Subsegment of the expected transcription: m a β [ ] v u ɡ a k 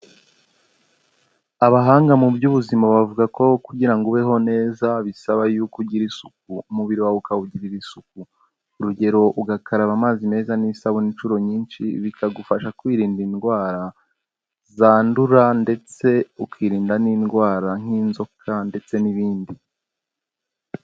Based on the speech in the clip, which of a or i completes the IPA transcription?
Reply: a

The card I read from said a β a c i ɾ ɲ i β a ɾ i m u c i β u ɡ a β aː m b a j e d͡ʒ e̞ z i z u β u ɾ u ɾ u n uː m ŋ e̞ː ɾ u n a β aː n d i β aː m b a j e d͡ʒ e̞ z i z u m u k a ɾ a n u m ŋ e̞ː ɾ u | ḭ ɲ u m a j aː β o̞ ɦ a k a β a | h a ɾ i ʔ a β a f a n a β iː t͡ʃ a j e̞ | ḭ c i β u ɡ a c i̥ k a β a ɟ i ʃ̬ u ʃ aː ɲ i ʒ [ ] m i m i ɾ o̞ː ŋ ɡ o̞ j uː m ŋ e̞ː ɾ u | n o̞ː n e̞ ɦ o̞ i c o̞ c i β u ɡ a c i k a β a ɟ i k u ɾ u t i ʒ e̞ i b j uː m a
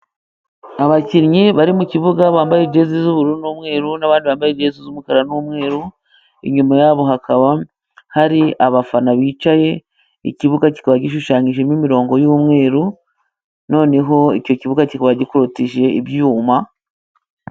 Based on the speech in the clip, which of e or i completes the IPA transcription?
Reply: e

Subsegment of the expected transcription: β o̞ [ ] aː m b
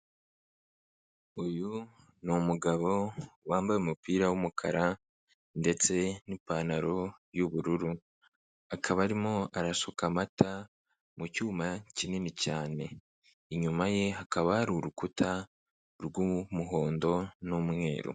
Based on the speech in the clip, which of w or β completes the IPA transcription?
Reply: w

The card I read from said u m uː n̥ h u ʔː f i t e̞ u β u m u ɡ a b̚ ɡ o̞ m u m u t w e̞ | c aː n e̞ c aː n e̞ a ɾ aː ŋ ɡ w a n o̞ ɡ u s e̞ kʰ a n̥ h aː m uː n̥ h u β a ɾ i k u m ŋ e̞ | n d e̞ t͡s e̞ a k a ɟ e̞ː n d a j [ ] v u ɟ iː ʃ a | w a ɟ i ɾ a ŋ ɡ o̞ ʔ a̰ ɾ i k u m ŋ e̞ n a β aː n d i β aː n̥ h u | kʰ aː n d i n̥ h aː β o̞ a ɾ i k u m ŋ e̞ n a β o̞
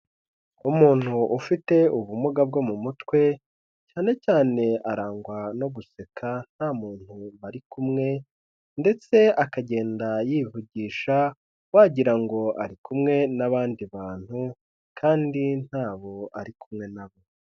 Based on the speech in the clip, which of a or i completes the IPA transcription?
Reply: i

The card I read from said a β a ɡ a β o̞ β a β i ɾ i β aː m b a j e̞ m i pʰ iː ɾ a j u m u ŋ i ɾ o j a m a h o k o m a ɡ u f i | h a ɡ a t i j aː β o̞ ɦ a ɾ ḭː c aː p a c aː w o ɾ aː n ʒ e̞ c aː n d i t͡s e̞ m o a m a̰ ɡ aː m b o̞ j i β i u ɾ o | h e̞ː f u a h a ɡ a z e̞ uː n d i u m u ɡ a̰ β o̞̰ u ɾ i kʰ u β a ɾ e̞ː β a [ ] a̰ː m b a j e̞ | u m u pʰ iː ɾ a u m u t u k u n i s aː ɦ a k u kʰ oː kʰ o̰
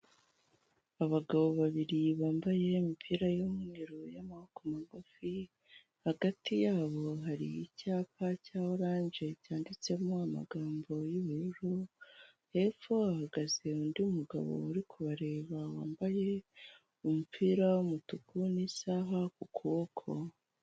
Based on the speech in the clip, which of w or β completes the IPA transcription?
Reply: w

